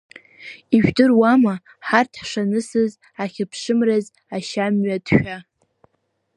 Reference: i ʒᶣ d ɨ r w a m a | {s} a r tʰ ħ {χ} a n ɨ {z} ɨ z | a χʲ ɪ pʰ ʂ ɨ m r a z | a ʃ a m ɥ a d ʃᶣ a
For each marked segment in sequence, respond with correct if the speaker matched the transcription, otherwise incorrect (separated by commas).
incorrect, incorrect, incorrect